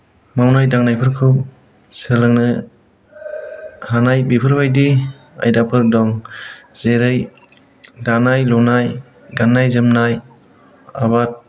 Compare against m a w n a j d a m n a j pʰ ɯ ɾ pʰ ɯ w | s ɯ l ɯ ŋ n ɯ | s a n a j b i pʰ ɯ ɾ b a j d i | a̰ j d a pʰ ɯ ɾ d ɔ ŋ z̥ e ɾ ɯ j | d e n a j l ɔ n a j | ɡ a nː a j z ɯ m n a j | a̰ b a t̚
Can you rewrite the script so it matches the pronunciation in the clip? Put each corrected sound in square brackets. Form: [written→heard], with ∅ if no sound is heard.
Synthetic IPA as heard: m a w n a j d a [m→ŋ] n a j pʰ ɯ ɾ [pʰ→kʰ] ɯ w | s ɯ l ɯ ŋ n ɯ | [s→h] a n a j b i pʰ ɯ ɾ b a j d i | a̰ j d a pʰ ɯ ɾ d ɔ ŋ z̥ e ɾ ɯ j | d [e→a] n a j l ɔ n a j | ɡ a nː a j z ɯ m n a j | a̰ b a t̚